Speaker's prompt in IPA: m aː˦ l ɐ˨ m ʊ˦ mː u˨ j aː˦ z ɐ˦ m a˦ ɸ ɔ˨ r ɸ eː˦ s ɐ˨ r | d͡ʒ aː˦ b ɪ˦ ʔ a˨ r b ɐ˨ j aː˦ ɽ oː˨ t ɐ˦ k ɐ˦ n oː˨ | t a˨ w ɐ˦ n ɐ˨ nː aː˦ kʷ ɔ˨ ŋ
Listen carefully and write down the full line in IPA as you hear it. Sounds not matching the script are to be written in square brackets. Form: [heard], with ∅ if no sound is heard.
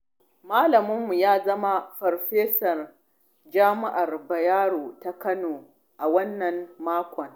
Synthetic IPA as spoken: m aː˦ l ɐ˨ m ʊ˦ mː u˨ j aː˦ z ɐ˦ m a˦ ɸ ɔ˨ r ɸ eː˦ s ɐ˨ r | d͡ʒ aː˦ [m] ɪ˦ ʔ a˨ r b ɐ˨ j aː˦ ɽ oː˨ t [a˦] k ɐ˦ n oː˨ | [ʔ] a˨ w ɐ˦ [nː] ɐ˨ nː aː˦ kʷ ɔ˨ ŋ

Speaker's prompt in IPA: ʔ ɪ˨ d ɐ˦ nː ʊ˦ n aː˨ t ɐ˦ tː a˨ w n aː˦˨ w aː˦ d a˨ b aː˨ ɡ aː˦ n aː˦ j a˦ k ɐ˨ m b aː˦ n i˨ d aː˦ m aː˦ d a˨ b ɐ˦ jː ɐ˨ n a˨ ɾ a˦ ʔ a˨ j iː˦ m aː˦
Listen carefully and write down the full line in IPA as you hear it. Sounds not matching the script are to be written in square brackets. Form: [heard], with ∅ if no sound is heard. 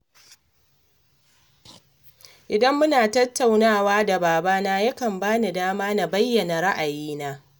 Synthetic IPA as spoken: ʔ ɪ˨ d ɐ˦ [mː] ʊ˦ n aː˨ t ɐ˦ tː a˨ w n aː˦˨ w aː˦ d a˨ b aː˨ [b] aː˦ n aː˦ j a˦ k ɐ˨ m b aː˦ n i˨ d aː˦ m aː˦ [n] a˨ b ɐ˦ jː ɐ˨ n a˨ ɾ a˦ ʔ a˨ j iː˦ [n] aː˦

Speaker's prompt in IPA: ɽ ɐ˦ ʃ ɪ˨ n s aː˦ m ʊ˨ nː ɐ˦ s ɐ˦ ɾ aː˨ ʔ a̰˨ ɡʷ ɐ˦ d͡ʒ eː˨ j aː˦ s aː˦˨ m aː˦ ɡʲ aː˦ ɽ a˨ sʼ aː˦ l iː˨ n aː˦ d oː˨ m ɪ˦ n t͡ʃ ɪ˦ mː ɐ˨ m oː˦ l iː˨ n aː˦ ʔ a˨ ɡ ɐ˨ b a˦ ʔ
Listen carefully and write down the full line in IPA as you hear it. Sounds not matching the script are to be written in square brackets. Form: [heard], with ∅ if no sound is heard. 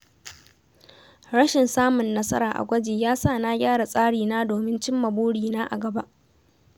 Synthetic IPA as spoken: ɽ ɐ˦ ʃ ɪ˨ n s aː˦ m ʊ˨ nː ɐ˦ s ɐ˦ ɾ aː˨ ʔ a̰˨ ɡʷ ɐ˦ d͡ʒ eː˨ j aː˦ s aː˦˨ [n] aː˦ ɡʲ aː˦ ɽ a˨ sʼ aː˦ [ɽ] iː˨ n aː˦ d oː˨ m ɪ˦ n t͡ʃ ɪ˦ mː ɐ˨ [b] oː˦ [ɽ] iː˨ n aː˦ ʔ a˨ ɡ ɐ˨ b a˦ ʔ

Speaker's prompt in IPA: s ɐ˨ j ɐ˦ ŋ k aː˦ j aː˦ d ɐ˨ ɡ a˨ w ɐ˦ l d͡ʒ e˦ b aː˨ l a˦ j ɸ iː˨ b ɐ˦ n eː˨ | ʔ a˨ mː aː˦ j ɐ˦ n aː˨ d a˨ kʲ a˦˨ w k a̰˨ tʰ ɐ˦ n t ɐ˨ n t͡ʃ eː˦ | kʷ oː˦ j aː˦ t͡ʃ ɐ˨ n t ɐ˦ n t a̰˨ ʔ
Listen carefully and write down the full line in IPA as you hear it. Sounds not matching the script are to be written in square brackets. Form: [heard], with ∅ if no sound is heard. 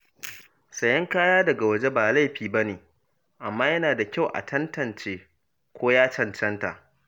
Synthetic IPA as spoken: s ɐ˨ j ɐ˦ ŋ k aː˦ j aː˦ d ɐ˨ ɡ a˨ w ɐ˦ [∅] d͡ʒ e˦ b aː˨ l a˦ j ɸ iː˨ b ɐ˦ n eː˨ | ʔ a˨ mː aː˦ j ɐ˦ n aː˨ d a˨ kʲ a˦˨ w [ʔ] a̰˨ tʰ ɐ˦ n t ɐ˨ n t͡ʃ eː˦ | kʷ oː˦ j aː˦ t͡ʃ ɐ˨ n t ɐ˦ n t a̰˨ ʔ

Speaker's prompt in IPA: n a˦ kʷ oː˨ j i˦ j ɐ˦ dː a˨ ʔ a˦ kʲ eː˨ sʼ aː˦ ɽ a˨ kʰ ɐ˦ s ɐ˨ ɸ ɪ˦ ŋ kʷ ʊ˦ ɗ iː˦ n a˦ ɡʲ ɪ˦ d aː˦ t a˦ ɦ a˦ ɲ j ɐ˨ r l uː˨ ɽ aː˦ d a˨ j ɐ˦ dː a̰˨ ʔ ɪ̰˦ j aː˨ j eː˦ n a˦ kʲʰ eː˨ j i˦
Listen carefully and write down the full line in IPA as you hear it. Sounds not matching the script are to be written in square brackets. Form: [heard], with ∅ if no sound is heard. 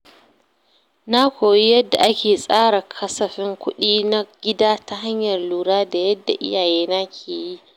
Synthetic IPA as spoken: n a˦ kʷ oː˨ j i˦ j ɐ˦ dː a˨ ʔ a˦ kʲ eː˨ sʼ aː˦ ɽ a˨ kʰ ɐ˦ s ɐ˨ ɸ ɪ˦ ŋ kʷ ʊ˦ ɗ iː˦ n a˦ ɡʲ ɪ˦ d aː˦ t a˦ ɦ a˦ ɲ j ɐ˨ r l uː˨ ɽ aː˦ d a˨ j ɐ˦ dː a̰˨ ʔ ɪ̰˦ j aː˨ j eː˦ n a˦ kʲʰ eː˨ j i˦

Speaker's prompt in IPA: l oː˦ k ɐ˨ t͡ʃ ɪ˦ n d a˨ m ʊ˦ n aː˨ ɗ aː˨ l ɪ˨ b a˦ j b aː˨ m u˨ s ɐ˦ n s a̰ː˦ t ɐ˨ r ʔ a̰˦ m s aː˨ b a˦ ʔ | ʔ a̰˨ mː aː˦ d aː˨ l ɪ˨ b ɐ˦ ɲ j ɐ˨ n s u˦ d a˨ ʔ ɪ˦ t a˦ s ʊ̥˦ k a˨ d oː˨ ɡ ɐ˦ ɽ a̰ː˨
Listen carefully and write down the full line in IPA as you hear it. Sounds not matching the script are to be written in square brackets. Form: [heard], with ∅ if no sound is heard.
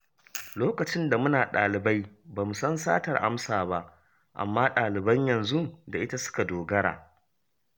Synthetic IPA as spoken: l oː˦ k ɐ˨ t͡ʃ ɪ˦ n d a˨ m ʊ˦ n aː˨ ɗ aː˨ l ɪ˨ b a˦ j b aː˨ m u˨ s ɐ˦ n s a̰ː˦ t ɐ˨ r ʔ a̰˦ m s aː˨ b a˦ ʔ | ʔ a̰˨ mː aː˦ [ɗ] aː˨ l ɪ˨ b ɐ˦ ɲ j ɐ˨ n [z] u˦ d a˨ ʔ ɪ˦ t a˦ s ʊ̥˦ k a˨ d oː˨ ɡ ɐ˦ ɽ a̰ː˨

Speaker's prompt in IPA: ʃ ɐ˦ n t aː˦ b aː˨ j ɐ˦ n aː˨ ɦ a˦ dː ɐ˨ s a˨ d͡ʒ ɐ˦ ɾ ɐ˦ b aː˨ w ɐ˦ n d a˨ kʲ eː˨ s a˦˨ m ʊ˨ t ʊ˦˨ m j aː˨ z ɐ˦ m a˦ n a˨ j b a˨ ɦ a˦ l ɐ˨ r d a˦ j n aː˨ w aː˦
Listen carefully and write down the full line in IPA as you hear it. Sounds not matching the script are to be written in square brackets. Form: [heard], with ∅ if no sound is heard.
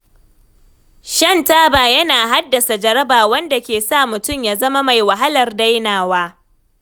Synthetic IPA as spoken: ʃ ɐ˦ n t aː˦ b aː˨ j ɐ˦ n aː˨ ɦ a˦ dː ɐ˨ s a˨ d͡ʒ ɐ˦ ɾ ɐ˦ b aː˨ w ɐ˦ n d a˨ kʲ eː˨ s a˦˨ m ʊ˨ t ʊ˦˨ m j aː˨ z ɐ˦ m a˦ [m] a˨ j [w] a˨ ɦ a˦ l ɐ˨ r d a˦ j n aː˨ w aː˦

